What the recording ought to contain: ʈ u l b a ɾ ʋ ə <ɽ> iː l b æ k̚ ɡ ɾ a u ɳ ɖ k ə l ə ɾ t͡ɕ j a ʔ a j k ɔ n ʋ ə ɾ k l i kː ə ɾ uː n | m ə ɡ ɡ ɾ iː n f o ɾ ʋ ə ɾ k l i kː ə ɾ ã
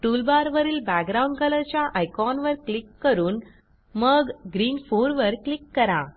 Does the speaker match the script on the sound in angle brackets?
no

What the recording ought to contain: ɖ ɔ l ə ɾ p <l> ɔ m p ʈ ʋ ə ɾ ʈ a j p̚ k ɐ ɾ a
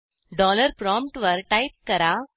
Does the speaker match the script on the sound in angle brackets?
no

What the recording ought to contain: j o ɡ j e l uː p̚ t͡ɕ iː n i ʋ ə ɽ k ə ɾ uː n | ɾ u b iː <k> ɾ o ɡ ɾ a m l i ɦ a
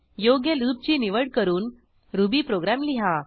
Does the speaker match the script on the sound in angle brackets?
no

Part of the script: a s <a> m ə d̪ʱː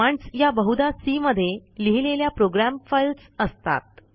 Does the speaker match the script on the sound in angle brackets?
no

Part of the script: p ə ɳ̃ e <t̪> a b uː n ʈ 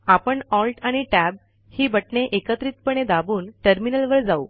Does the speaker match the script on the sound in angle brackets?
no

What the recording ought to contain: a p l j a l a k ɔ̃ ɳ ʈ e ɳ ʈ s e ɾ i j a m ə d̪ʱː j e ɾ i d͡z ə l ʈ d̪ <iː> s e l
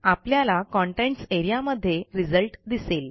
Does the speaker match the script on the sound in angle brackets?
no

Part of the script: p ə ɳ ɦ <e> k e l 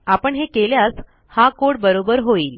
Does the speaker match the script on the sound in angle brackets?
yes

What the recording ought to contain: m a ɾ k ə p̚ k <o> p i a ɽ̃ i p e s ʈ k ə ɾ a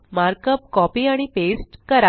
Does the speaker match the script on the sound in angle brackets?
no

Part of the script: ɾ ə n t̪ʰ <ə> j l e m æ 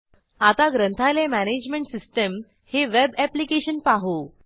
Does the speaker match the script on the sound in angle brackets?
no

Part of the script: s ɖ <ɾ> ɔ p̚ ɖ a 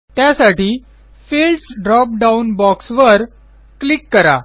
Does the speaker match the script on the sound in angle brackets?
yes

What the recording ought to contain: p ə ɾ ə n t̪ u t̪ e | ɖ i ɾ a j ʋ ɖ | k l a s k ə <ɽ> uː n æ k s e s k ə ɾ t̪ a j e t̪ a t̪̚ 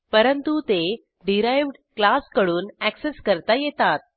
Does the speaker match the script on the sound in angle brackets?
yes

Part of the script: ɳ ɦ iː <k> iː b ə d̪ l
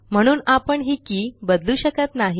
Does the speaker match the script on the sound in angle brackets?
yes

